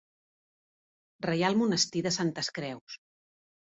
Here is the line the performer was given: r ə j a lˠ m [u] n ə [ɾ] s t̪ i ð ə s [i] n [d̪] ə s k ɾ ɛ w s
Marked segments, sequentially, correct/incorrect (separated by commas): correct, incorrect, incorrect, incorrect